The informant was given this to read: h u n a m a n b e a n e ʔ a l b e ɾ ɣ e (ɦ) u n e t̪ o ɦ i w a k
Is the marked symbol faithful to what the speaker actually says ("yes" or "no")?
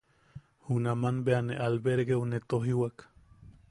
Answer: no